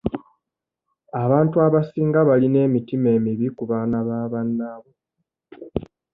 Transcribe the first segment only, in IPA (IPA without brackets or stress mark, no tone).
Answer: a